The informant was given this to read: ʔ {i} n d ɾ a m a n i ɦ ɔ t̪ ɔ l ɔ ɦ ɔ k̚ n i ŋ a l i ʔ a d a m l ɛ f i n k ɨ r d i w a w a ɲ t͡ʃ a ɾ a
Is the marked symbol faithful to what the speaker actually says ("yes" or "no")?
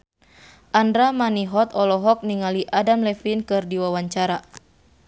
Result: no